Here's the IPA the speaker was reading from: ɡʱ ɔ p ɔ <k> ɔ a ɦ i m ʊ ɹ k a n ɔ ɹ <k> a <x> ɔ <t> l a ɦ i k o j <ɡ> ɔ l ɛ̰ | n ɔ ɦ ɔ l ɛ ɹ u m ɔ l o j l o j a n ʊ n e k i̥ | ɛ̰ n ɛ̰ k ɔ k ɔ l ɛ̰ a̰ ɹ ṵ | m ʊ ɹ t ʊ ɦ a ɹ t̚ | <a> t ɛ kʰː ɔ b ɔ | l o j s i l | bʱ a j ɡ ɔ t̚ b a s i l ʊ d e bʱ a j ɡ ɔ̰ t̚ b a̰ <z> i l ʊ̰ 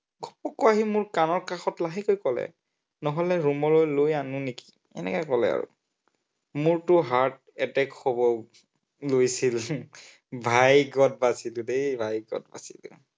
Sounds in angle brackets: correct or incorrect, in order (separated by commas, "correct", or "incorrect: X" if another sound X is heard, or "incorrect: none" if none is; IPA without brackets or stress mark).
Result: correct, correct, correct, correct, incorrect: k, incorrect: ɛ, incorrect: s